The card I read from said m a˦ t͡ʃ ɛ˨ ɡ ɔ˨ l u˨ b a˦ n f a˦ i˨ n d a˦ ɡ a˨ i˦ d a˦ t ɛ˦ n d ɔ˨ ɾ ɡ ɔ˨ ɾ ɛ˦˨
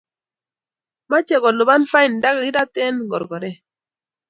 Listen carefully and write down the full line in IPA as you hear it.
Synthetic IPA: m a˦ t͡ʃ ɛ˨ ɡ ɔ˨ l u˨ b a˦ n f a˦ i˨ n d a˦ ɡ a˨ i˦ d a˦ t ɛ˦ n ɡ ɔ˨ ɾ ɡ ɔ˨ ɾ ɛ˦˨